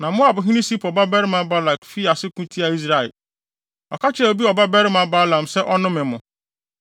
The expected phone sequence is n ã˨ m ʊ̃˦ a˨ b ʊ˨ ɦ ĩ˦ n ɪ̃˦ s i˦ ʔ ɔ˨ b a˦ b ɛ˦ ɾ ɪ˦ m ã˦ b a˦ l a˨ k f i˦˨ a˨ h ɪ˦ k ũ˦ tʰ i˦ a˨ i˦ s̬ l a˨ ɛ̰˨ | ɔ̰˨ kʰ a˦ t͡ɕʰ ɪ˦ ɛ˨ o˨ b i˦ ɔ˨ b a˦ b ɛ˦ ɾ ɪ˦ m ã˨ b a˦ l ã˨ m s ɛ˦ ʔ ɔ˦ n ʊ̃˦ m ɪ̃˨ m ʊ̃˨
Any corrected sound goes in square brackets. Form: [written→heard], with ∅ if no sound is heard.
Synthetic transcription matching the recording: n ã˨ m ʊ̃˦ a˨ b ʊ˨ ɦ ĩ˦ n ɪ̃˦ s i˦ [ʔ→p] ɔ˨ b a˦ b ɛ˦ ɾ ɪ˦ m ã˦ b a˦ l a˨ k f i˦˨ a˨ [h→s] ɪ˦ k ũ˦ tʰ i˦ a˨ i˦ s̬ [l→ɾ] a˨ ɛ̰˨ | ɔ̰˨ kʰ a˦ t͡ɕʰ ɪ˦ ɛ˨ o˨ b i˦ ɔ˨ b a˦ b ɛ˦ ɾ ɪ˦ m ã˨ b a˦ l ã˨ m s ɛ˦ ʔ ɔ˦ n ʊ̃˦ m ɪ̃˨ m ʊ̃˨